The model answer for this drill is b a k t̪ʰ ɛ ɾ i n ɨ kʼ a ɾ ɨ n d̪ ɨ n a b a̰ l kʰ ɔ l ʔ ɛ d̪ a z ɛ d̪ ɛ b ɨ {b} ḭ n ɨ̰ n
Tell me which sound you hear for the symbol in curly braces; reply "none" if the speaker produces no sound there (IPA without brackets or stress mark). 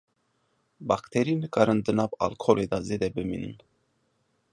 m